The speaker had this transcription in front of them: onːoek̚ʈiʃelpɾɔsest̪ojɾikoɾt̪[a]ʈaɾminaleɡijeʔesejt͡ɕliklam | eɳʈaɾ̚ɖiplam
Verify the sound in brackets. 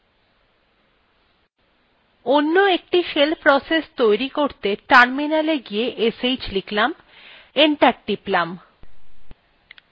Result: incorrect: e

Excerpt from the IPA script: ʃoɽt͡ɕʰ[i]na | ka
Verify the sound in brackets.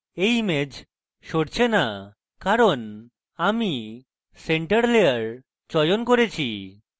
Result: incorrect: e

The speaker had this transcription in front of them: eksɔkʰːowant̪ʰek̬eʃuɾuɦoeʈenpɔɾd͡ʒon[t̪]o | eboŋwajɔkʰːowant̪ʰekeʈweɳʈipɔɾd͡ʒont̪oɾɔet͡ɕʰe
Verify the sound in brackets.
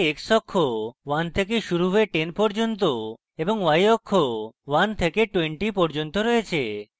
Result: correct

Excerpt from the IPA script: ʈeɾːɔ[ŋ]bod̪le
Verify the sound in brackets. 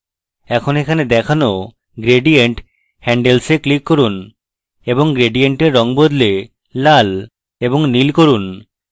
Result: correct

